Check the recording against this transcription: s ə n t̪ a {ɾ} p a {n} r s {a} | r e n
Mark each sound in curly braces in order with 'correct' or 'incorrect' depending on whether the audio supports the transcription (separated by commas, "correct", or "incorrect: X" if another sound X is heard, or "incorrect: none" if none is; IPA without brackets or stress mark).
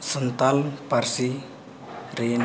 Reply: incorrect: l, incorrect: none, incorrect: i